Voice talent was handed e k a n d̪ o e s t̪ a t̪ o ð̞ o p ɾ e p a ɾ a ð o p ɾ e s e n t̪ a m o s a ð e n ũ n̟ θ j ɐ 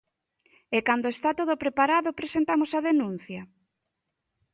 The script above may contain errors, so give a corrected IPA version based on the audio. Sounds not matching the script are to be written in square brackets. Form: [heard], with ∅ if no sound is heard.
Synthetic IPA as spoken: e k a n d̪ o e s t̪ a t̪ o ð̞ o p ɾ e p a ɾ a ð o p ɾ e s e n t̪ a m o s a ð e n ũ n̟ θ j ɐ